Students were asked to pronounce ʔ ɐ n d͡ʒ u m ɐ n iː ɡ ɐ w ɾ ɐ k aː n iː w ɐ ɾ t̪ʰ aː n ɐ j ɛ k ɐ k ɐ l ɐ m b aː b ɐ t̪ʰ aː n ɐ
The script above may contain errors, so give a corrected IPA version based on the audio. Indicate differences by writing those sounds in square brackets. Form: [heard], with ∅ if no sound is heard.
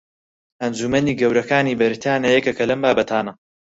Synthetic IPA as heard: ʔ ɐ n d͡ʒ u m ɐ n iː ɡ ɐ w ɾ ɐ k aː n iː [b] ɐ ɾ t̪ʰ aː n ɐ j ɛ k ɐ k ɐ l ɐ m b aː b ɐ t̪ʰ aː n ɐ